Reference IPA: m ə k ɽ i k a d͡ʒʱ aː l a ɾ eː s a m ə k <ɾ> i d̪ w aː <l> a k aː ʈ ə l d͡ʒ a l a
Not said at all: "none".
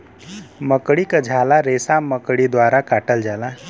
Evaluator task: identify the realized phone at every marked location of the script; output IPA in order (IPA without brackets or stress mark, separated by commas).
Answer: ɽ, ɾ